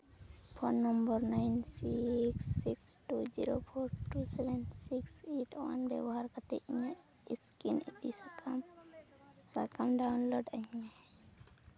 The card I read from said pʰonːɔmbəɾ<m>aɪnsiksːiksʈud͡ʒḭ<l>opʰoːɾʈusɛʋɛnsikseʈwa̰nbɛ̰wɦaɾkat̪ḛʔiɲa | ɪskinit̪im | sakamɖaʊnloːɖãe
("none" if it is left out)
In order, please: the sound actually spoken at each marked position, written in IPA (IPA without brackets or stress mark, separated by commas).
n, ɾ